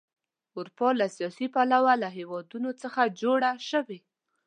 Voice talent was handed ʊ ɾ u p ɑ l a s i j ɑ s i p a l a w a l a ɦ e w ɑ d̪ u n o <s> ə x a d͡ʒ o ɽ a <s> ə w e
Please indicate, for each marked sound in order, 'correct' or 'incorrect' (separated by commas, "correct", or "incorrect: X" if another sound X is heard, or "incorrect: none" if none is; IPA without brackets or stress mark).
incorrect: t͡s, incorrect: ʃ